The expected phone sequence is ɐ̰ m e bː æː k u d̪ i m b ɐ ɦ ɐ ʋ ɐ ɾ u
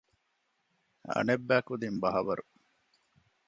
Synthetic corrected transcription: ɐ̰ n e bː æː k u d̪ i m b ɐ ɦ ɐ ʋ ɐ ɾ u